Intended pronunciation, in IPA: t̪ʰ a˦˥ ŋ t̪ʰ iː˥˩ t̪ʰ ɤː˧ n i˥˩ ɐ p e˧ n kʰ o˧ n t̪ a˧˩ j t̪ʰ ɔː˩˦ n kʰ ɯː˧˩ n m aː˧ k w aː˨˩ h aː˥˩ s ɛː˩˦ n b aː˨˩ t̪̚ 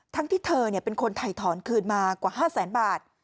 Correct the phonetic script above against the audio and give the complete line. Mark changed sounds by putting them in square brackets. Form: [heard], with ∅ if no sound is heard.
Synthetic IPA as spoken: t̪ʰ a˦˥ ŋ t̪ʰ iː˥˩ t̪ʰ ɤː˧ n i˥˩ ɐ p e˧ n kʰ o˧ n [t̪ʰ] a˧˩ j t̪ʰ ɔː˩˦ n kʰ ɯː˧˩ n m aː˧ k w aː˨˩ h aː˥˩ s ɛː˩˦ n b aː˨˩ t̪̚